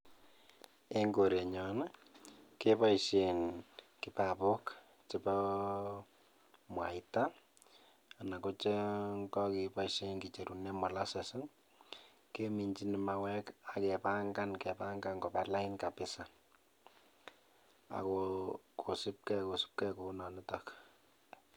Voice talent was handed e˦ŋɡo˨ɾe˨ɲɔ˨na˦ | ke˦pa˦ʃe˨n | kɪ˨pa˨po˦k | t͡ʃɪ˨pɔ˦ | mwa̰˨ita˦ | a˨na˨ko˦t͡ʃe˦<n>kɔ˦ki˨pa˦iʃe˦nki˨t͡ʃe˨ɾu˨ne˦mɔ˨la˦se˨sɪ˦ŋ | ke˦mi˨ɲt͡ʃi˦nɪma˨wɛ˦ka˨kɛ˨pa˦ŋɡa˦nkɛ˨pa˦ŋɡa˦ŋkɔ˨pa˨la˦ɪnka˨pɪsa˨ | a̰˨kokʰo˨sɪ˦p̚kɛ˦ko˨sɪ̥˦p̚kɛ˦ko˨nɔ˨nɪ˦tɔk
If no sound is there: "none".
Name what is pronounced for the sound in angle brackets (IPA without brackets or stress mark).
ŋ